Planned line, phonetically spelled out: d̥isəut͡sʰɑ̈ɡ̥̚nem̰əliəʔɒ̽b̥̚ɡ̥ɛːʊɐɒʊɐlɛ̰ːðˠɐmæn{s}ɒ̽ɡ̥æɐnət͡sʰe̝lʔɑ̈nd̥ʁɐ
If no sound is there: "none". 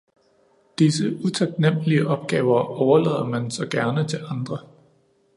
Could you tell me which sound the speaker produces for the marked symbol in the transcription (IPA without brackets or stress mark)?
s